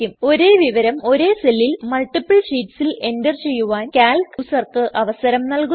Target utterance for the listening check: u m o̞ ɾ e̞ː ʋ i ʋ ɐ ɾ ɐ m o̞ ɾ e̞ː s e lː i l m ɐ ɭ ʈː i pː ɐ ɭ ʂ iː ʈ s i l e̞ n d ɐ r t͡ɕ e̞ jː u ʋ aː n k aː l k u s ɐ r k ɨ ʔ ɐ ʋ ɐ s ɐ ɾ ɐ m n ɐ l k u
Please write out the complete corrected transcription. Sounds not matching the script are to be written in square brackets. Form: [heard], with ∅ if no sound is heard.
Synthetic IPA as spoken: u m o̞ ɾ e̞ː ʋ i ʋ ɐ ɾ ɐ m o̞ ɾ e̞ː s e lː i l m ɐ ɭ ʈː i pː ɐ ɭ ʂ iː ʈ s i l e̞ n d ɐ r t͡ɕ e̞ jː u ʋ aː n k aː l k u s ɐ r k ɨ ʔ ɐ ʋ ɐ s ɐ ɾ ɐ m n ɐ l k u